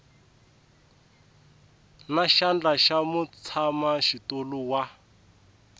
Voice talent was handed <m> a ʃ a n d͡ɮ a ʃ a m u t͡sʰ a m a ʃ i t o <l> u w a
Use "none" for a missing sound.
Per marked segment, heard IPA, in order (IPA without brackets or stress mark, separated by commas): n, l